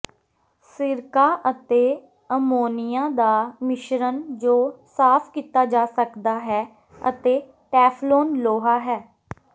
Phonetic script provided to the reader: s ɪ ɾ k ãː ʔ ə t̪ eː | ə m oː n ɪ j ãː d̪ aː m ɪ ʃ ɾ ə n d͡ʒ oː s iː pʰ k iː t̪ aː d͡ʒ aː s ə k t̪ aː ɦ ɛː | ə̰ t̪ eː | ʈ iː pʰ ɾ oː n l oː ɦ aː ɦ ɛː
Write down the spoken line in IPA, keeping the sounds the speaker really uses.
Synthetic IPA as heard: s ɪ ɾ k aː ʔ ə t̪ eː | ə m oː n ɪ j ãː d̪ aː m ɪ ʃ ɾ ə n d͡ʒ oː s aː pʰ k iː t̪ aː d͡ʒ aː s ə k d̪ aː ɦ ɛː | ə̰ t̪ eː | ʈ ɛː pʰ l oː n l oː ɦ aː ɦ ɛː